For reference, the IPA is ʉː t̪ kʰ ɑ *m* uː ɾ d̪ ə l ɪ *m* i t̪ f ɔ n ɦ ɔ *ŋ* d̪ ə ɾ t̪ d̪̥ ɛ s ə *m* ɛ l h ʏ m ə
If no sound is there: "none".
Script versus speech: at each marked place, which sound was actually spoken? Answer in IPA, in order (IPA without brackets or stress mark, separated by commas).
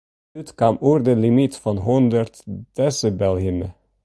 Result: m, m, n, b